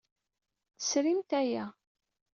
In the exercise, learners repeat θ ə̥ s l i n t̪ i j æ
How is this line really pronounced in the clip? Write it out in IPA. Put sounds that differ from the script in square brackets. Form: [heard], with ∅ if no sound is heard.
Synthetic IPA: θ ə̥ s [ɾ] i [m] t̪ [æ] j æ